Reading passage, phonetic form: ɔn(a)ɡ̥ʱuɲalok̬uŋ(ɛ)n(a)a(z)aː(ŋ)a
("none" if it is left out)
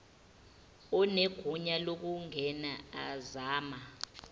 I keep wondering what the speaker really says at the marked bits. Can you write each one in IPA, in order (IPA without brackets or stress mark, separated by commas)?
e, ɛ, a, z, m